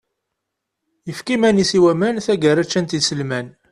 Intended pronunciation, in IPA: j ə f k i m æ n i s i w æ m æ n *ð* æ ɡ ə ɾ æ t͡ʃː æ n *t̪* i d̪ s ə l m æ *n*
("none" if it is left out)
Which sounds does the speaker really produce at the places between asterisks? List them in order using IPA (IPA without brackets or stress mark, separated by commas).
θ, t̪, n